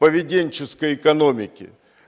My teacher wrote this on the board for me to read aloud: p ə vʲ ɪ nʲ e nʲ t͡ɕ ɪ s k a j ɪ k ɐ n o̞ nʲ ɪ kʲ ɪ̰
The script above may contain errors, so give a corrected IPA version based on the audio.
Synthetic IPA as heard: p ə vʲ ɪ dʲ e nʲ t͡ɕ ɪ s k ə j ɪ k ɐ n o̞ mʲ ɪ kʲ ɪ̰